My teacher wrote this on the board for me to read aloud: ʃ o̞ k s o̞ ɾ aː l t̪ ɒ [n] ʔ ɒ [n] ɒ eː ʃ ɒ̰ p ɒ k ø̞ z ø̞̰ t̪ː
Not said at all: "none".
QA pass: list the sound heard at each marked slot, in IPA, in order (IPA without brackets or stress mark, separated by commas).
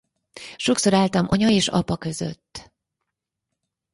m, ɲ